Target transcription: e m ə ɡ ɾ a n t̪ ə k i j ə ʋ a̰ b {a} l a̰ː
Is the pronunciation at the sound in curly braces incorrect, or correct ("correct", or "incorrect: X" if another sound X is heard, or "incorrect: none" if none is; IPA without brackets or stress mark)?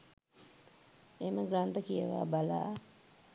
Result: correct